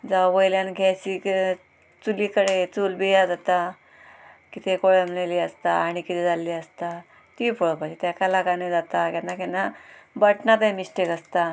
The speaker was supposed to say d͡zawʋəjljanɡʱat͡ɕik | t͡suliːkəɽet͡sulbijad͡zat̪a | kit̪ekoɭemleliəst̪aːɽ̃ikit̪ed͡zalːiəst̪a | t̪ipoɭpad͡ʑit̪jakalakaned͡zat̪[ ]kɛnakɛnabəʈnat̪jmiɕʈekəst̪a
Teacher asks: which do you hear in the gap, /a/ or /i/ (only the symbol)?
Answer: a